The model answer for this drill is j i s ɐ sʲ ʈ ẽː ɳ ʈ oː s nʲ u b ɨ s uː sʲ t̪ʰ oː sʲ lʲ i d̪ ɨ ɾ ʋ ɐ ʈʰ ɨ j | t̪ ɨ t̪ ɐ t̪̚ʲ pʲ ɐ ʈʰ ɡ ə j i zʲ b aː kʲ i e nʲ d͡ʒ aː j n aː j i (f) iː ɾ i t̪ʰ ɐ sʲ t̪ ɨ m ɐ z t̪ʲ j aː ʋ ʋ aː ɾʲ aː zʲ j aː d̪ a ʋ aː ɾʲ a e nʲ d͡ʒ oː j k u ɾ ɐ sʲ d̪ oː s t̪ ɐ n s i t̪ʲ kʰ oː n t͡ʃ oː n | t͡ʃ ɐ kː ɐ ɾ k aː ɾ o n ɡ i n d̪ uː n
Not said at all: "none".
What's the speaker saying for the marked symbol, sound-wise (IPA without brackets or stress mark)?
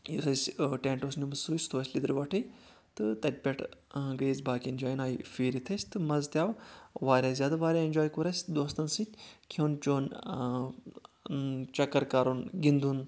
f